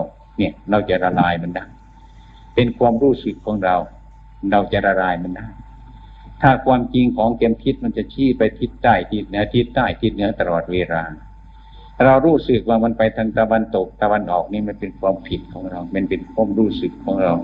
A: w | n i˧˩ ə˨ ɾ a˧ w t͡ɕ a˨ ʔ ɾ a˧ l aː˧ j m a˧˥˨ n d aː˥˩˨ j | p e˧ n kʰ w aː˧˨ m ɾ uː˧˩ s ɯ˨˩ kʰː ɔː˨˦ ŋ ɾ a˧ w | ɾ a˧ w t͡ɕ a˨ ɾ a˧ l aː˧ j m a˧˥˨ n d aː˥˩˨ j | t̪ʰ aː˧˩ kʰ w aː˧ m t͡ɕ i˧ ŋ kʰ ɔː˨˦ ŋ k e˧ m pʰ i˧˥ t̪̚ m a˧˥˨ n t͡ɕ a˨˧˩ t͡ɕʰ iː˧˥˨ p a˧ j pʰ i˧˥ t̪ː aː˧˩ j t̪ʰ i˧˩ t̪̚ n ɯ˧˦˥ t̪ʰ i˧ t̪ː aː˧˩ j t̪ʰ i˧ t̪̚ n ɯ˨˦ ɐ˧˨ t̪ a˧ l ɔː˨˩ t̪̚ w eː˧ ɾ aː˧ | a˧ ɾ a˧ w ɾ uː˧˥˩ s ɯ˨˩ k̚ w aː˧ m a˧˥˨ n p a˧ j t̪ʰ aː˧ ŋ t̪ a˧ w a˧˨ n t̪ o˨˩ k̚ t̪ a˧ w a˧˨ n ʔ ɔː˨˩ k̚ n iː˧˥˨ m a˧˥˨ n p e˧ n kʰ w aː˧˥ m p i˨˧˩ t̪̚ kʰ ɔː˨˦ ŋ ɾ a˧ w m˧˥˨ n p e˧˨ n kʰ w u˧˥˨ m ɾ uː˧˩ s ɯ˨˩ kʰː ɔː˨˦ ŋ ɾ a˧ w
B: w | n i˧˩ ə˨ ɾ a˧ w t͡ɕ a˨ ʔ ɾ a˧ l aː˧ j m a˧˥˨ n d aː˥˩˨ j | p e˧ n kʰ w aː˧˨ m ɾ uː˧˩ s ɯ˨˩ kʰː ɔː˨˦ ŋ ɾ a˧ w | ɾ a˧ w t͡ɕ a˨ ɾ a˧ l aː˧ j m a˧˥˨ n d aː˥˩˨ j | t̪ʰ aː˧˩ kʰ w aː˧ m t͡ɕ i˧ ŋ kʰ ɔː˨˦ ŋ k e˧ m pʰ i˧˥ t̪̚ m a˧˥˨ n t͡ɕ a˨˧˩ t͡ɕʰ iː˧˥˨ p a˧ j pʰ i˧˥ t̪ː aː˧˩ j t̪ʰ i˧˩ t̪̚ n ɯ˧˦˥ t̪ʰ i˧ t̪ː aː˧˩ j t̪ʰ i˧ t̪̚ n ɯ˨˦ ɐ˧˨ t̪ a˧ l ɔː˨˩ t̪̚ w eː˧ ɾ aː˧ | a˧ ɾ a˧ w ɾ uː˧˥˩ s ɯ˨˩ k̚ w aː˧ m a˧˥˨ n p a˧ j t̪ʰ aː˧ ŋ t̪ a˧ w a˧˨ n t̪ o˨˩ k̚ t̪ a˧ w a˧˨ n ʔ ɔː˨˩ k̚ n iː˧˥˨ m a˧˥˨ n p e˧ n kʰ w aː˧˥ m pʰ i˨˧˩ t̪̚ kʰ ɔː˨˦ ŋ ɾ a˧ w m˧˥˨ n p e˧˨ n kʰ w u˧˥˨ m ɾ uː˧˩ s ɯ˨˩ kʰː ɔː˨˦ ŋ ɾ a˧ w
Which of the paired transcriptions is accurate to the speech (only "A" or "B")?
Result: B